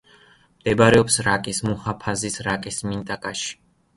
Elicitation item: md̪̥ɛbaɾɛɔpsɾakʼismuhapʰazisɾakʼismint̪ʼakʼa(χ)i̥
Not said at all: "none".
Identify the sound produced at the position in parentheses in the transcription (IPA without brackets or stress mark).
ʃ